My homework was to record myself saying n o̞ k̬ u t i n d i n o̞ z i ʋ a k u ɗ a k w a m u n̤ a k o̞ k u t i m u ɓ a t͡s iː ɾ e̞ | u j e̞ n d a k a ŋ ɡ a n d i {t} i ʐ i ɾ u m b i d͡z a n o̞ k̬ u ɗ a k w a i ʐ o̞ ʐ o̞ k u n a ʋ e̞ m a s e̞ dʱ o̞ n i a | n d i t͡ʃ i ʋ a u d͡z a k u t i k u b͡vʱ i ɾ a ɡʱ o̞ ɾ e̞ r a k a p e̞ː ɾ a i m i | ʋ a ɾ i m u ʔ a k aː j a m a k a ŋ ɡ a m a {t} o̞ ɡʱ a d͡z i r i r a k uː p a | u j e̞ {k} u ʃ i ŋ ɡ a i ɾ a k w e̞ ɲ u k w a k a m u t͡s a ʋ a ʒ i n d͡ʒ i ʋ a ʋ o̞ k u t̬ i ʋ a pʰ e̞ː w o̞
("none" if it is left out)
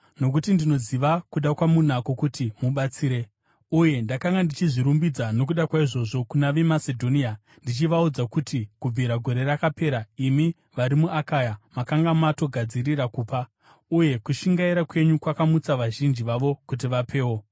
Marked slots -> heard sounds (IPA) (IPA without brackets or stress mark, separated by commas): t͡ʃ, t, k